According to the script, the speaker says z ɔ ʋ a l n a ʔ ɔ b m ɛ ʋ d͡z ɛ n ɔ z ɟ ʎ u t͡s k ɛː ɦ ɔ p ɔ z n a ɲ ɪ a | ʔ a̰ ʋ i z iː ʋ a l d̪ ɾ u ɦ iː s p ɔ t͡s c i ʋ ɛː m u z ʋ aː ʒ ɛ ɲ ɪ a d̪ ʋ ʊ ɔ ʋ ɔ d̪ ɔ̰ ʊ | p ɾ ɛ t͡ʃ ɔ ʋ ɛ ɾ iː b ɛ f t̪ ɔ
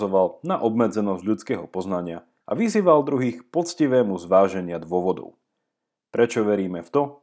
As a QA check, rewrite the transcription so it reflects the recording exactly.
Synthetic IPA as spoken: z ɔ ʋ a l n a ʔ ɔ b m ɛ d͡z ɛ n ɔ z ɟ ʎ u t͡s k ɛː ɦ ɔ p ɔ z n a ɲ ɪ a | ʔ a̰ ʋ i z iː ʋ a l d̪ ɾ u ɦ iː x p ɔ t͡s c i ʋ ɛː m u z ʋ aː ʒ ɛ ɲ ɪ a d̪ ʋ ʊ ɔ ʋ ɔ d̪ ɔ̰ ʊ | p ɾ ɛ t͡ʃ ɔ ʋ ɛ ɾ iː m ɛ f t̪ ɔ